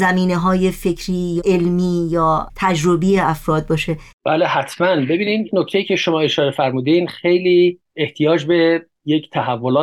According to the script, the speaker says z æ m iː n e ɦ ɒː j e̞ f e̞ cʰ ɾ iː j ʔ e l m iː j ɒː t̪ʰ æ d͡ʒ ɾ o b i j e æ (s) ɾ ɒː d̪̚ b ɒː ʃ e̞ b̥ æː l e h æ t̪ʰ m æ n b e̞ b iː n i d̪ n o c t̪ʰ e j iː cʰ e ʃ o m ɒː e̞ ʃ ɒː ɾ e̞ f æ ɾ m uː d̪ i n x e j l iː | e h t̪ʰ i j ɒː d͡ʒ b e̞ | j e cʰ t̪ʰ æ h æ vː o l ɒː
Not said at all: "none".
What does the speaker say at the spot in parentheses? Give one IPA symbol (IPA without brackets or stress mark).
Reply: f